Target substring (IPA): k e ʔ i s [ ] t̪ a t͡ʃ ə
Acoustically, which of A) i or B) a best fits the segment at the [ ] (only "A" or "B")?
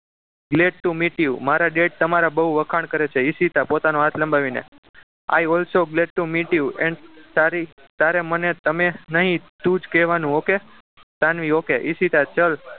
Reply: A